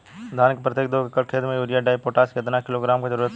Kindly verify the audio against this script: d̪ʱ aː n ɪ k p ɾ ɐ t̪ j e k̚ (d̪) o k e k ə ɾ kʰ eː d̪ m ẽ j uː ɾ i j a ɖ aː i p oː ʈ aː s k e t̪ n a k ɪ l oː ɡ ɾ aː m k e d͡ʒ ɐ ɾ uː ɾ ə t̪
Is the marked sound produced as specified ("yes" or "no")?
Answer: yes